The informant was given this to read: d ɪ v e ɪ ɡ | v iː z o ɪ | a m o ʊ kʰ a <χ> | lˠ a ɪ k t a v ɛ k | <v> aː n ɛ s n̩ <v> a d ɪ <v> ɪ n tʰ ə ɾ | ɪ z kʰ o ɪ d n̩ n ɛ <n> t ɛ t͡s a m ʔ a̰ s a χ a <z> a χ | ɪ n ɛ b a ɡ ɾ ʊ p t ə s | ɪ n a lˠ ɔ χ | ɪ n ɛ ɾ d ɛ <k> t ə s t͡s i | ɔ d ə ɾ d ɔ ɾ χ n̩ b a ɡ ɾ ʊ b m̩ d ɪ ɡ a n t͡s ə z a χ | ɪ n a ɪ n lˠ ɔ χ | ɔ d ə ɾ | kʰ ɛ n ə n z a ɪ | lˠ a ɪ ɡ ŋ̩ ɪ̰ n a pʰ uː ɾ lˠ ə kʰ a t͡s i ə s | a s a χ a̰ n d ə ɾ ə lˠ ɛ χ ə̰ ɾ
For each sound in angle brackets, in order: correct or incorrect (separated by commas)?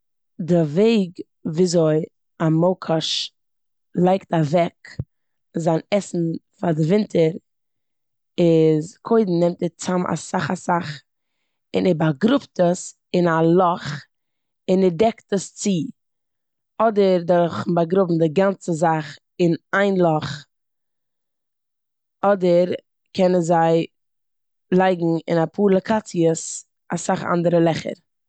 incorrect, incorrect, incorrect, correct, incorrect, incorrect, correct